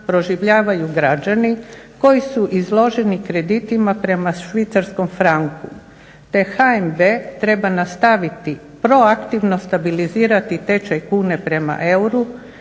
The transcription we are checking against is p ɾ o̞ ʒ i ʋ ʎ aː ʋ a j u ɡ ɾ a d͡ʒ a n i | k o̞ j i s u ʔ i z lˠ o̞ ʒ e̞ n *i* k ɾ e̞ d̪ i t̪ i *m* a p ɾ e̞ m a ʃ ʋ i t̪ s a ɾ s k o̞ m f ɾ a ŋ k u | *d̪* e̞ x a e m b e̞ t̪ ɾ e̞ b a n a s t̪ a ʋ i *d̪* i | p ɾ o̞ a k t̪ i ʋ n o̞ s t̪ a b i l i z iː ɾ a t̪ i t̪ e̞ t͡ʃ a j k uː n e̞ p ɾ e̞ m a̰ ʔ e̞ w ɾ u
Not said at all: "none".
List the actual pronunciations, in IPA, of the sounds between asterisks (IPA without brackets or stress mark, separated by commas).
i, m, t̪, t̪